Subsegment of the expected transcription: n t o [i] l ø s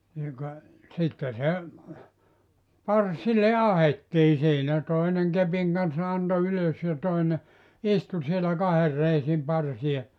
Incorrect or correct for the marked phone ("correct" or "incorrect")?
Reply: incorrect